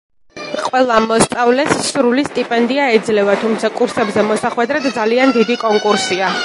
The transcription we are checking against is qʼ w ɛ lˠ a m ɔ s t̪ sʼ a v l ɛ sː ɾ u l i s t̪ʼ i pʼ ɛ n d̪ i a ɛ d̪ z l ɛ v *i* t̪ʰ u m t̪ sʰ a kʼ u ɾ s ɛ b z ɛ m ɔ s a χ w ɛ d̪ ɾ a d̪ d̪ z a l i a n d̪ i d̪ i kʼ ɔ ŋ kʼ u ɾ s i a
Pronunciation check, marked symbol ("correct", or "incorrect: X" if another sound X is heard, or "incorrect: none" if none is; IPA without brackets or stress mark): incorrect: a